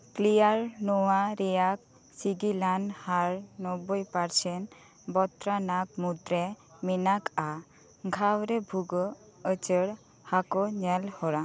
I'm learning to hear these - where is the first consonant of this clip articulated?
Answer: velum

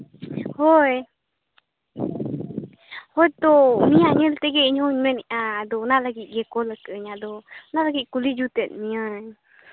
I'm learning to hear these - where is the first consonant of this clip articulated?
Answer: throat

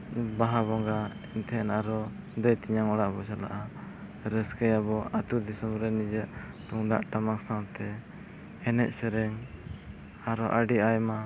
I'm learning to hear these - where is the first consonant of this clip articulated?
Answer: lips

